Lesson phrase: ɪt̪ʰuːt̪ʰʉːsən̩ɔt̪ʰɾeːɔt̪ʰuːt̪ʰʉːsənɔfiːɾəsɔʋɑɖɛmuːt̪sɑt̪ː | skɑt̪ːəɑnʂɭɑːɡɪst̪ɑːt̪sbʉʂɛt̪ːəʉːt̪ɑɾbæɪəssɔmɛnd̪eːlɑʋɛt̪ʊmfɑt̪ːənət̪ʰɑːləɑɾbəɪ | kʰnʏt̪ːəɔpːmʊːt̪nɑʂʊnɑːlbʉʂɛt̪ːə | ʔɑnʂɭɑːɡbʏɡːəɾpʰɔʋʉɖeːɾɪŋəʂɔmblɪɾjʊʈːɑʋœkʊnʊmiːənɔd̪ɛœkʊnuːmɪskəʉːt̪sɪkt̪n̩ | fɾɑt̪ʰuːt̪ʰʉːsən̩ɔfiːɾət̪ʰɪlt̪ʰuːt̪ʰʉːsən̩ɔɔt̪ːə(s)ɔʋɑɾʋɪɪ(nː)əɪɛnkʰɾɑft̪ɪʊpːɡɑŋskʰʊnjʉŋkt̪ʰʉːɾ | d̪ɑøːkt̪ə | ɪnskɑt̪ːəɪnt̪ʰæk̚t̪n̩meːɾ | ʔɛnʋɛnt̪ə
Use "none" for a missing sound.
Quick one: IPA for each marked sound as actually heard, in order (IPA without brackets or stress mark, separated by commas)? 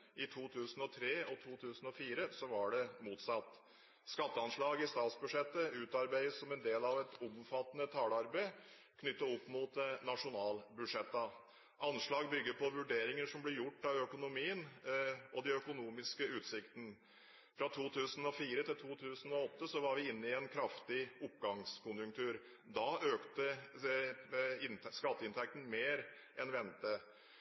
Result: s, nː